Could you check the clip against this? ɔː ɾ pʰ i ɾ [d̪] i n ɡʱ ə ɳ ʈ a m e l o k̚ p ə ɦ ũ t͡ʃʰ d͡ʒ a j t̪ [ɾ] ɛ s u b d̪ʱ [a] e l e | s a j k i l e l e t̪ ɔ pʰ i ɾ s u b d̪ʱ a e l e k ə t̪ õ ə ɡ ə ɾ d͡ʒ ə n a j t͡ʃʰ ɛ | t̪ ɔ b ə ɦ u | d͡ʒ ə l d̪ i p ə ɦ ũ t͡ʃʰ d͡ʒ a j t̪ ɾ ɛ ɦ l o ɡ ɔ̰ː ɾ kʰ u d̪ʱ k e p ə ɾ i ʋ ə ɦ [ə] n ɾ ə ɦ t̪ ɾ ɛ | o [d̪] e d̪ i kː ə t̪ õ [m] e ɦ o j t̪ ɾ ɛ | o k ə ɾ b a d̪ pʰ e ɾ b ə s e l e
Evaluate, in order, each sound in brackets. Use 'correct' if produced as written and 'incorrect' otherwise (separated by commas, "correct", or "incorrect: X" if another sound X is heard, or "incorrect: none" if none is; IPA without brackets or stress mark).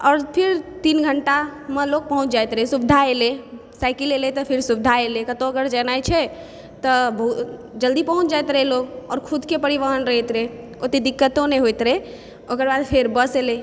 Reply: incorrect: t̪, correct, correct, correct, incorrect: t̪, incorrect: n